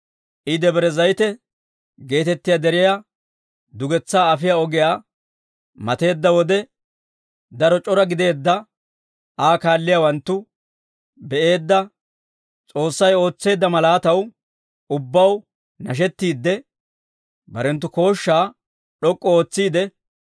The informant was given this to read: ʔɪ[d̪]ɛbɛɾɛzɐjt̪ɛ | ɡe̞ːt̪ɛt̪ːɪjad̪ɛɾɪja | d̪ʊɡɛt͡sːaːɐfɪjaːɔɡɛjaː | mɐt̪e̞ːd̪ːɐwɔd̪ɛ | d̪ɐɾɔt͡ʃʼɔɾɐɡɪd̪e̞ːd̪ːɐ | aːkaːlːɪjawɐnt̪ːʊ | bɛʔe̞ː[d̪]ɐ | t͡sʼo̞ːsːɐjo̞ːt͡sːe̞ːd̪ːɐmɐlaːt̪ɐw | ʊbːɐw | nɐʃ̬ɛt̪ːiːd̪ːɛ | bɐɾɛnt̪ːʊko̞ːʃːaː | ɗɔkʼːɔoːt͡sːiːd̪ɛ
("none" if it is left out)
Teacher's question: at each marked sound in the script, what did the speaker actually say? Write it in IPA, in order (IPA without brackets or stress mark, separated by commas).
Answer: d̪, d̪ː